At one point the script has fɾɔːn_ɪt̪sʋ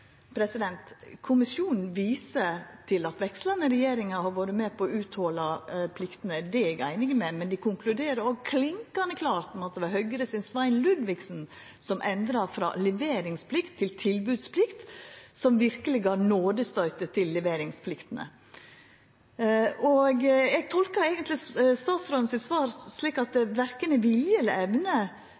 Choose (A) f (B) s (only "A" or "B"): B